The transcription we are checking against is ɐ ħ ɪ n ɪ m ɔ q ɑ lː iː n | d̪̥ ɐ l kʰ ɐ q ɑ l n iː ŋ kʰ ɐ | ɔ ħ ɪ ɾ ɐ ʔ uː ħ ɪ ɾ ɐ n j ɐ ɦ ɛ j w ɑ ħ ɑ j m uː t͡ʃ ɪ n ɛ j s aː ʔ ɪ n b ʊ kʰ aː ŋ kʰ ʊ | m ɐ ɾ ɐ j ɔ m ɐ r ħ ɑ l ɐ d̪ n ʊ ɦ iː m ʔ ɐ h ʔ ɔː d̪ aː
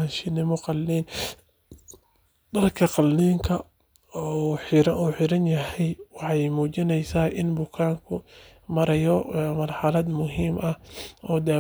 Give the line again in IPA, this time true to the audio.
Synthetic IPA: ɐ ʃ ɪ n ɪ m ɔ q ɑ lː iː n | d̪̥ ɐ l kʰ ɐ q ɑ l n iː ŋ kʰ ɐ | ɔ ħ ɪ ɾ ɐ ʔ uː ħ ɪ ɾ ɐ n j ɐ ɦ ɛ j w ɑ ħ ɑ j m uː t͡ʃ ɪ n ɛ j s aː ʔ ɪ n b ʊ kʰ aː ŋ kʰ ʊ | m ɐ ɾ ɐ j ɔ m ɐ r ħ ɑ l ɐ d̪ m ʊ ɦ iː m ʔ ɐ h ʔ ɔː d̪ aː